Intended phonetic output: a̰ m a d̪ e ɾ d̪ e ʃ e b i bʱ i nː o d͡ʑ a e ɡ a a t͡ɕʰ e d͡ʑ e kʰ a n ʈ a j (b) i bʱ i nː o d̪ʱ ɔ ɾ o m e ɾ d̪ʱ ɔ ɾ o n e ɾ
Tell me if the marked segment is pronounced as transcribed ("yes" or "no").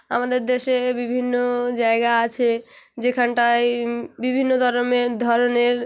yes